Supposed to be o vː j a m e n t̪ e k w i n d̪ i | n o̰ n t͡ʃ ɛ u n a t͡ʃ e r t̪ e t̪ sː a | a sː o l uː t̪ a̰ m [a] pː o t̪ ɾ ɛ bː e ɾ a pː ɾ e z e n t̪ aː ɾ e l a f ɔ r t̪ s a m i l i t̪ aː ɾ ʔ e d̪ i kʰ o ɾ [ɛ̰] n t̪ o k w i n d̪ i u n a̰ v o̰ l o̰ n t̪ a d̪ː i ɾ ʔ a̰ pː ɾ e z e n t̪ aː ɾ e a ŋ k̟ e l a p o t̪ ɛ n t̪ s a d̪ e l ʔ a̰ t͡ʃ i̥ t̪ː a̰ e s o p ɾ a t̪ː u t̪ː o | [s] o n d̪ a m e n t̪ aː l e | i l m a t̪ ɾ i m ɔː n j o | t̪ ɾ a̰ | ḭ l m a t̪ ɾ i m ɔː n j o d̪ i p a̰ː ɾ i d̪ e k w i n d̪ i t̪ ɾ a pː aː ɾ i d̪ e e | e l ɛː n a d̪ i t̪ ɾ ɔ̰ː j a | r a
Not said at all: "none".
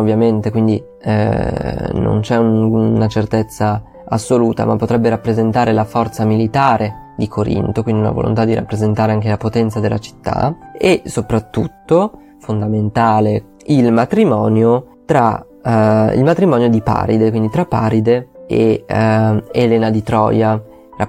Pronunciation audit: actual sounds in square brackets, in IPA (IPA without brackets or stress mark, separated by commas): a, ḭ, f